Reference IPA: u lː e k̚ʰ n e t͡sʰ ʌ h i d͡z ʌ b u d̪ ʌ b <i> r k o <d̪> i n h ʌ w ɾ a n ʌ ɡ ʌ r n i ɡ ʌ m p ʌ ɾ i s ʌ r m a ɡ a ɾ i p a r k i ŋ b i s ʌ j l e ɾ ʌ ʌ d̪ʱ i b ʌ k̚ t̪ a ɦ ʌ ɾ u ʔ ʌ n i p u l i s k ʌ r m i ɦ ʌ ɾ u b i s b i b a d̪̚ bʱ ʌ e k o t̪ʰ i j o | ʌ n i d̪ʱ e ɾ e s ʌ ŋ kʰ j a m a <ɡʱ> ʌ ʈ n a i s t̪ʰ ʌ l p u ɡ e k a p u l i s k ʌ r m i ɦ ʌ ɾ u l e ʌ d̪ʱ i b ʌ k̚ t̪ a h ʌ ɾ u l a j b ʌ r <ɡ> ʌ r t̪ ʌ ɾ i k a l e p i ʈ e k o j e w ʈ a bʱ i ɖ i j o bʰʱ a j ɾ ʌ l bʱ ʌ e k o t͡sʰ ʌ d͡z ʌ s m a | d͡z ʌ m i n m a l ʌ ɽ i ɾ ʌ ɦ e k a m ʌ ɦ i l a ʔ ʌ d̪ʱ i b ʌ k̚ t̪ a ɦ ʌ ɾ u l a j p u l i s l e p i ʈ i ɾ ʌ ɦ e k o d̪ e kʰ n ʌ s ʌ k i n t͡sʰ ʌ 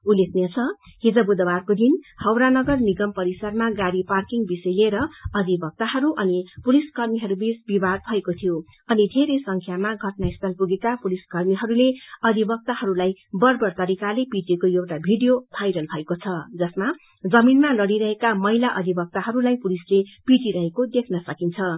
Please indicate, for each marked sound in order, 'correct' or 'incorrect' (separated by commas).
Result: incorrect, correct, correct, incorrect